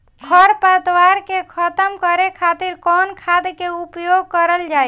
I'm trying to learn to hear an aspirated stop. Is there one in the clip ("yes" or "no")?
yes